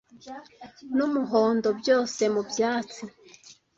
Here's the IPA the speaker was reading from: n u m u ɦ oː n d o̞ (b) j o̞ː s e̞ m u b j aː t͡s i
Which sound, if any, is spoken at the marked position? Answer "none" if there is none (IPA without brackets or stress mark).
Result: b